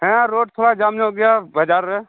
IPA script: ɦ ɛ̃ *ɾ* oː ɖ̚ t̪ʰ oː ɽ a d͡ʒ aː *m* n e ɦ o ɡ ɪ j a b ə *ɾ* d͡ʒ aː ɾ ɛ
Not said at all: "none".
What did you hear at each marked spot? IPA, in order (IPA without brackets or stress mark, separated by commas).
ɾ, m, none